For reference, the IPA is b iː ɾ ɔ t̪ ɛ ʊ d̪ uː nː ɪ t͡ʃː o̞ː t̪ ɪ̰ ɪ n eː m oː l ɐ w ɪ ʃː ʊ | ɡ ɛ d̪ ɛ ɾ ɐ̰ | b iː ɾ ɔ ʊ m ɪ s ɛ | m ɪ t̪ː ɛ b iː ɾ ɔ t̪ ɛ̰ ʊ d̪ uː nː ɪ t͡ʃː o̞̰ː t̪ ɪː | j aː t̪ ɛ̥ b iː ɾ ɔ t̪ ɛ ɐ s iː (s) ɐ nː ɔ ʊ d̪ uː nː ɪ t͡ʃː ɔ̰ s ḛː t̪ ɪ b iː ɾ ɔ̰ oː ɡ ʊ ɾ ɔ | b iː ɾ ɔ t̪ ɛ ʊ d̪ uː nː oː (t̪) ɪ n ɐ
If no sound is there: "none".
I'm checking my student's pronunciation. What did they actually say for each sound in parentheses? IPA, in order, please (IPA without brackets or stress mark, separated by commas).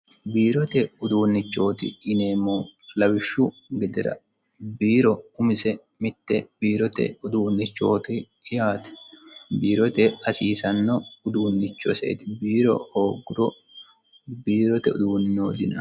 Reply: s, d̪